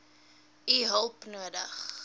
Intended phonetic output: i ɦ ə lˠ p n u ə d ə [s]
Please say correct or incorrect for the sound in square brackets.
incorrect